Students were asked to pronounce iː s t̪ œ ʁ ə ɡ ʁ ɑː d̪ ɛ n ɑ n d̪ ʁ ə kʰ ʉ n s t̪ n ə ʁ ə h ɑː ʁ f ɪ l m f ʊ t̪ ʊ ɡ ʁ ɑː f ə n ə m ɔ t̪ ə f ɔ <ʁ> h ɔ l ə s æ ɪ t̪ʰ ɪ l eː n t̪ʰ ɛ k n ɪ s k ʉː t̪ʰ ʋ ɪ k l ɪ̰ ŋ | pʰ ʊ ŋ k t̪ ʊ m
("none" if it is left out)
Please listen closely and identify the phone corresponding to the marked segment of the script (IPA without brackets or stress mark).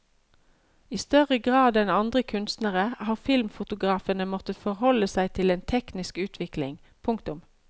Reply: ʁ